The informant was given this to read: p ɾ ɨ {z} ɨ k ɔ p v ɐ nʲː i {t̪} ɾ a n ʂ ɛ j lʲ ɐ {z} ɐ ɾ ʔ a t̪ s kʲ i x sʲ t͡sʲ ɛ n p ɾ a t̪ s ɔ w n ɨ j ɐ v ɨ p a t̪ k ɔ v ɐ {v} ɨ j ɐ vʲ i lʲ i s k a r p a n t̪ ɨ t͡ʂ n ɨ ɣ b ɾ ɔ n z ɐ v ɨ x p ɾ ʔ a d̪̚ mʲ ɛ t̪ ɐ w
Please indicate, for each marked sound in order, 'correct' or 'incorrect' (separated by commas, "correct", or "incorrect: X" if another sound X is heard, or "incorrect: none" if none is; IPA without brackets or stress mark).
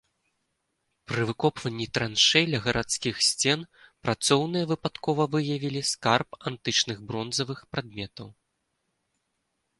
incorrect: v, correct, incorrect: ɣ, correct